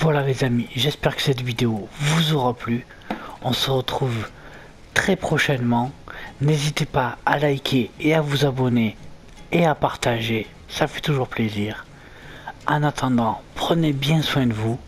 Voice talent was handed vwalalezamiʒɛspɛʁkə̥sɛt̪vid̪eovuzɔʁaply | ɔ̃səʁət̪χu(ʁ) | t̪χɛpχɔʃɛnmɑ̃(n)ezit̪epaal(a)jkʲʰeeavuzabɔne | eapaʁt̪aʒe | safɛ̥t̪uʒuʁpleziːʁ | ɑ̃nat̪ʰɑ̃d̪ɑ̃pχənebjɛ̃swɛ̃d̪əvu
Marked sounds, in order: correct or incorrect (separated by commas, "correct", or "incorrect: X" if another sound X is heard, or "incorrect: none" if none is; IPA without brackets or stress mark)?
incorrect: v, correct, correct